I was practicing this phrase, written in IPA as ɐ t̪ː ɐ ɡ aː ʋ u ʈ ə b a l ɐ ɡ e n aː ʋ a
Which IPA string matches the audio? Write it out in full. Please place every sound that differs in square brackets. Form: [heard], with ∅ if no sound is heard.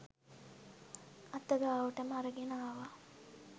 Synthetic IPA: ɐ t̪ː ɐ ɡ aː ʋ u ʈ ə [m] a [ɾ] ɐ ɡ e n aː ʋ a